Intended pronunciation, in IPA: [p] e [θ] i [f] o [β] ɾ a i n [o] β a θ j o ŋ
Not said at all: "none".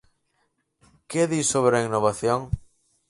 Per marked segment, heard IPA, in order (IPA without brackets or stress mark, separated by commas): k, ð, s, β, o